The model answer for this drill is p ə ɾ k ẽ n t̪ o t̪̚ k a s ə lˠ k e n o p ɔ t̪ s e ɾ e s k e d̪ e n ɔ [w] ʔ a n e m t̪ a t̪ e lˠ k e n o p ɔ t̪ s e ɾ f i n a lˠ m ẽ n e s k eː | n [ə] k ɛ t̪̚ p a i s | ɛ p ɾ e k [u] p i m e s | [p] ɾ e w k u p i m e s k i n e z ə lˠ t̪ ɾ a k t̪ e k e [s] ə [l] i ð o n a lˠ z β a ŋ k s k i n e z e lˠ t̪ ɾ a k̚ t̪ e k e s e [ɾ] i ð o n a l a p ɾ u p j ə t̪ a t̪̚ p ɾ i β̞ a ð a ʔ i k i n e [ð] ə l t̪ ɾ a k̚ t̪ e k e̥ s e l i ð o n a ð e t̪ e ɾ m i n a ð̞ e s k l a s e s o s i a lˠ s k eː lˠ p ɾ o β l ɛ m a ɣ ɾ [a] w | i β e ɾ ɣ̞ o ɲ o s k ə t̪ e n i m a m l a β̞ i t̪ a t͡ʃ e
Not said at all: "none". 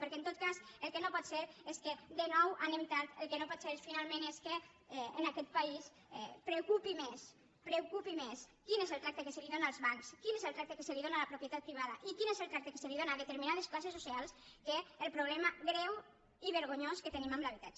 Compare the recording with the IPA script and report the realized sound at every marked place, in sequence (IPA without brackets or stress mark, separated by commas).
w, a, u, p, s, l, l, z, ɛ